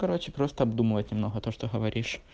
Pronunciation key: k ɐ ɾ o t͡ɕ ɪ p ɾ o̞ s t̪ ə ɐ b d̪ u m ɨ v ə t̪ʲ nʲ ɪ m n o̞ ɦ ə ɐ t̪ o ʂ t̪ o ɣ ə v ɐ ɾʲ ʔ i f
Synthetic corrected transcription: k ɐ ɾ o t͡ɕ ɪ p ɾ o̞ s t̪ ə ɐ b d̪ u m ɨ v ə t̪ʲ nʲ ɪ m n o̞ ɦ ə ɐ t̪ o ʂ t̪ o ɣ ə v ɐ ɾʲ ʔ i ʂ